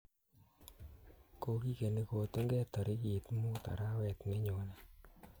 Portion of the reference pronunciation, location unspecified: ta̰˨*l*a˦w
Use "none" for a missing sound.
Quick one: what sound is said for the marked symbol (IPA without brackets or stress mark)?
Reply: ɾ